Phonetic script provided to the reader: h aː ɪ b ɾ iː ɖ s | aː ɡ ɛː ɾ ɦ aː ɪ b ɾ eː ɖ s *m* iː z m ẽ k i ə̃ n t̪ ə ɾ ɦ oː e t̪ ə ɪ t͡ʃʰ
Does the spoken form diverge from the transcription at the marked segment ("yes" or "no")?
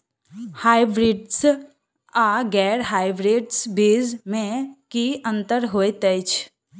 yes